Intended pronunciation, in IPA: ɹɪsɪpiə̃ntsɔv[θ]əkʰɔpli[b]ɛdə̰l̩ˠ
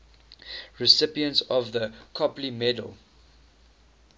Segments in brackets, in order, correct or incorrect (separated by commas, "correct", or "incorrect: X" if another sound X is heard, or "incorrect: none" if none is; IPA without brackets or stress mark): incorrect: ð, incorrect: m